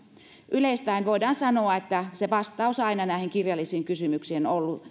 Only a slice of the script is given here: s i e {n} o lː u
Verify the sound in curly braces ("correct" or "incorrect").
correct